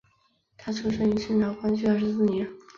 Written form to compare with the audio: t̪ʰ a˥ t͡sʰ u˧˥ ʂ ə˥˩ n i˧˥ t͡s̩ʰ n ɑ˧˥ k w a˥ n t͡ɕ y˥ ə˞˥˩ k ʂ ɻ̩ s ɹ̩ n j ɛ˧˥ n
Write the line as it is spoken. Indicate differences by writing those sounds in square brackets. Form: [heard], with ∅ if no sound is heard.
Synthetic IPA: t̪ʰ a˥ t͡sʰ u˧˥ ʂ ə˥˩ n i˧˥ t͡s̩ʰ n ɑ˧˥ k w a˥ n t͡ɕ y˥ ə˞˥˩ [∅] ʂ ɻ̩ s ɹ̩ n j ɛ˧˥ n

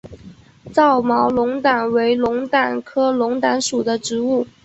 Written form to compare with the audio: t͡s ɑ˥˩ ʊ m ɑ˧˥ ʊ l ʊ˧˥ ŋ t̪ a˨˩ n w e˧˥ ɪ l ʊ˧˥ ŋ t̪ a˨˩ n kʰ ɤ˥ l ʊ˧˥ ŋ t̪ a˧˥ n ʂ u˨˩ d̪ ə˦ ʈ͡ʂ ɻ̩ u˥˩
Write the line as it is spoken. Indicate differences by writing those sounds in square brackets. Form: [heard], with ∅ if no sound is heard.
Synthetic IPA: t͡s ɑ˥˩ ʊ m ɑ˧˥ ʊ l ʊ˧˥ ŋ t̪ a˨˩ n w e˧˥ ɪ l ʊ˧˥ ŋ t̪ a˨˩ n kʰ ɤ˥ l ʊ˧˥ ŋ t̪ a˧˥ n ʂ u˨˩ d̪ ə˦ ʈ͡ʂ ɻ̩ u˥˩

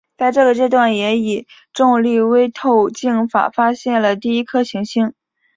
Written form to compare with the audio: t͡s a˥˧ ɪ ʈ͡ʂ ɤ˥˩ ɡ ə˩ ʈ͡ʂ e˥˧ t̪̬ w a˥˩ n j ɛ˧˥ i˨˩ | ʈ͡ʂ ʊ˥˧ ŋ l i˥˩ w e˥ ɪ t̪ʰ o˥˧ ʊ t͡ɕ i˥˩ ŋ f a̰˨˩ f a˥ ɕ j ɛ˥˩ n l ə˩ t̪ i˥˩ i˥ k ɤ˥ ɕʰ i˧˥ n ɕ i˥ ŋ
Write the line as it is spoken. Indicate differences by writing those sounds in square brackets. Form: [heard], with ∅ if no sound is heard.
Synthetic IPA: t͡s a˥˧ ɪ ʈ͡ʂ ɤ˥˩ ɡ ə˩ ʈ͡ʂ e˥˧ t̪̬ w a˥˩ n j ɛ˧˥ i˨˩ | ʈ͡ʂ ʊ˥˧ ŋ l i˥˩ w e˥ ɪ t̪ʰ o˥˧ ʊ t͡ɕ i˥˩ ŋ f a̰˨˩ f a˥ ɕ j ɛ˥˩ n l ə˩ t̪ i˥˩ i˥ [kʰ] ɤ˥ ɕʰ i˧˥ [ŋ] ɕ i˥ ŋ

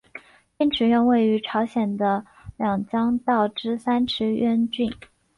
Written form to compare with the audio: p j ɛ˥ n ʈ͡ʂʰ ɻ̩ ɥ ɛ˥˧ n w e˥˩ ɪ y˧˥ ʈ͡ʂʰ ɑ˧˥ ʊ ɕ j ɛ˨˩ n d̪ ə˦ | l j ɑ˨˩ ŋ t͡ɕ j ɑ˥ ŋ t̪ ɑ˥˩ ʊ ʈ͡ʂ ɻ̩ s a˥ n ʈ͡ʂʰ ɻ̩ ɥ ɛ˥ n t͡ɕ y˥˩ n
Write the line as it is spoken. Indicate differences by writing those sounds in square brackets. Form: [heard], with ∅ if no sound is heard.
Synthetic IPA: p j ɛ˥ n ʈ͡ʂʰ ɻ̩ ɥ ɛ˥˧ n w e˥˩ ɪ y˧˥ ʈ͡ʂʰ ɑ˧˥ ʊ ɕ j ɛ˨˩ n d̪ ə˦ | l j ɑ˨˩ ŋ t͡ɕ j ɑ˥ ŋ t̪ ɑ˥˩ ʊ ʈ͡ʂ ɻ̩ s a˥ n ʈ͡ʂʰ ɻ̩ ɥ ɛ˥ n t͡ɕ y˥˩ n

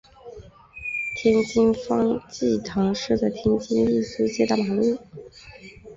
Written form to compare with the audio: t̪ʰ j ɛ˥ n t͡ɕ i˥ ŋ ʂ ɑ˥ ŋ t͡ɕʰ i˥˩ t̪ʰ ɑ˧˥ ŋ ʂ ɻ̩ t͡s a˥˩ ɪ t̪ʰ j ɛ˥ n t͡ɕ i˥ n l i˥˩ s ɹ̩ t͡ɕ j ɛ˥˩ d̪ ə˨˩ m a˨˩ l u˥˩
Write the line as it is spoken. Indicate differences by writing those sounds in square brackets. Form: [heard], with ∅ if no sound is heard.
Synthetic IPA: t̪ʰ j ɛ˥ n t͡ɕ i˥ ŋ [f] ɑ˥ ŋ [t͡ɕ] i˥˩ t̪ʰ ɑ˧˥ ŋ ʂ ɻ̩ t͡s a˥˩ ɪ t̪ʰ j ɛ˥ n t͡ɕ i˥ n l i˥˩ s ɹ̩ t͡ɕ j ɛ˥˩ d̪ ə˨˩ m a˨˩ l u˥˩

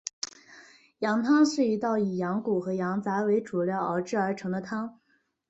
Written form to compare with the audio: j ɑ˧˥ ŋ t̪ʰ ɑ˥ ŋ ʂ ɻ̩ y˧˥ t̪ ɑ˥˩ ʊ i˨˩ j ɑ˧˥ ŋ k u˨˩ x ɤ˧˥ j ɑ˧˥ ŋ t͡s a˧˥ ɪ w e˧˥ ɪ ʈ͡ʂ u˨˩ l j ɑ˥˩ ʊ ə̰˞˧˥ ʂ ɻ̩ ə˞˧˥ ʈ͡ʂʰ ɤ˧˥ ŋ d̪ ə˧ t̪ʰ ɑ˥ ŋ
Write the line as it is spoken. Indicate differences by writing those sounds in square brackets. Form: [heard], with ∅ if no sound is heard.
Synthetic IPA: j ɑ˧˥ ŋ t̪ʰ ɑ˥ ŋ ʂ ɻ̩ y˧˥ t̪ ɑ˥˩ ʊ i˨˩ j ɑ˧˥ ŋ k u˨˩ x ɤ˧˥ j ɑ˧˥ ŋ t͡s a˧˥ ɪ w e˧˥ ɪ ʈ͡ʂ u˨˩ l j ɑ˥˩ ʊ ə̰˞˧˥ [ʈ͡ʂ] ɻ̩ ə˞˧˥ ʈ͡ʂʰ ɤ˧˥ ŋ d̪ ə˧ t̪ʰ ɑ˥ ŋ

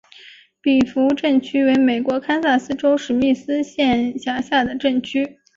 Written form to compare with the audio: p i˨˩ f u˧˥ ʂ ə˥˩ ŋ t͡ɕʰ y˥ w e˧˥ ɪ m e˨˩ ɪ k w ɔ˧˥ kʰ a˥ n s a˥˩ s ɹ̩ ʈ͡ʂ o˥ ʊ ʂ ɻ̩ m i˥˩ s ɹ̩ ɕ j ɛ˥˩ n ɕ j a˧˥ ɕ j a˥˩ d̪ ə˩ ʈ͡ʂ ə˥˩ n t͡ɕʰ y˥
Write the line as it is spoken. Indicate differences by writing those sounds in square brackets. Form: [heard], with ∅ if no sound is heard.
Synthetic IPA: p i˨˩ f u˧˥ [ʈ͡ʂ] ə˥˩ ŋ t͡ɕʰ y˥ w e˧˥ ɪ m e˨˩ ɪ k w ɔ˧˥ kʰ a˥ n s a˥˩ s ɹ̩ ʈ͡ʂ o˥ ʊ ʂ ɻ̩ m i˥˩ s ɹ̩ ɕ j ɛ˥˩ n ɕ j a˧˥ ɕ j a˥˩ d̪ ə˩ ʈ͡ʂ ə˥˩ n t͡ɕʰ y˥

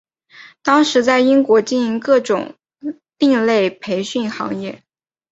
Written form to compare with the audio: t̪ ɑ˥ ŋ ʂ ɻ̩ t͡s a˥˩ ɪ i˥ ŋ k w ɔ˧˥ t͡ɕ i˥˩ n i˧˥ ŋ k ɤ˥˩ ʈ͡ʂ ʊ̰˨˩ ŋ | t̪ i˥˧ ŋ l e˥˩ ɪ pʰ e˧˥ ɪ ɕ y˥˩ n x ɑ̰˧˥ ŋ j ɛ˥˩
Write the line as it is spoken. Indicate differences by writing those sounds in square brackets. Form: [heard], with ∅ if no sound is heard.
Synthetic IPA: t̪ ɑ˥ ŋ ʂ ɻ̩ t͡s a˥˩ ɪ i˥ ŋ k w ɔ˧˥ t͡ɕ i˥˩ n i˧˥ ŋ k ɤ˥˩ ʈ͡ʂ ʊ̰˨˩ ŋ | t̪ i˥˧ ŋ l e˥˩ ɪ pʰ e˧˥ ɪ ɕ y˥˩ n x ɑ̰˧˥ ŋ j ɛ˥˩

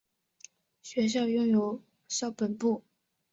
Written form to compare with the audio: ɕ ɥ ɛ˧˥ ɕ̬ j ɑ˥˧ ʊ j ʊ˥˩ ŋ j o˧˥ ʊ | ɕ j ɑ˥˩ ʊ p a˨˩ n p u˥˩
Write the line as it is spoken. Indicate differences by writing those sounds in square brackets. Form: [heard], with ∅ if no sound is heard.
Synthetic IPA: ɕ ɥ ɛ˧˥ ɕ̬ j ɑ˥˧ ʊ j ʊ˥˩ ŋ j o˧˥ ʊ | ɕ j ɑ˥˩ ʊ p [ə˨˩] n p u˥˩

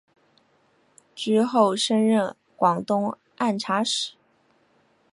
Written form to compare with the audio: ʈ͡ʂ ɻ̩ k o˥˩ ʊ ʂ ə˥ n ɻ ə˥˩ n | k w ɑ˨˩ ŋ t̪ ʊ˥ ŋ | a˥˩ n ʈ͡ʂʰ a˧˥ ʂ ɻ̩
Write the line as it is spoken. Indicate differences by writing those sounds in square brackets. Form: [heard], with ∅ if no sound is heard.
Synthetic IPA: ʈ͡ʂ ɻ̩ [x] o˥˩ ʊ ʂ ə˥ n ɻ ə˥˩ n | k w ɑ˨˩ ŋ t̪ ʊ˥ ŋ | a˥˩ n ʈ͡ʂʰ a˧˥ ʂ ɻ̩

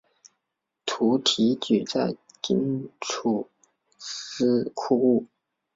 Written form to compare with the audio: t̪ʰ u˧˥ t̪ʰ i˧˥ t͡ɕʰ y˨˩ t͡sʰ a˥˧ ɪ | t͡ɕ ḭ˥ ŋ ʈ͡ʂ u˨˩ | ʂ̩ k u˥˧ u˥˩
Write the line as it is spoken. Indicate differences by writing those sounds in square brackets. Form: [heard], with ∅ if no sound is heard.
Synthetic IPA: t̪ʰ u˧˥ t̪ʰ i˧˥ [t͡ɕ] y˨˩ [t͡s] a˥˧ ɪ | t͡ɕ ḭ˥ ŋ [ʈ͡ʂʰ] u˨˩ | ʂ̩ [kʰ] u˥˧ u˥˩

